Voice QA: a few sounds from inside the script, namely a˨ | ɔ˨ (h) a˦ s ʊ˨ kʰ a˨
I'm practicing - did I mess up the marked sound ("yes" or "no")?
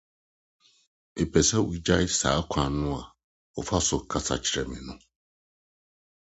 yes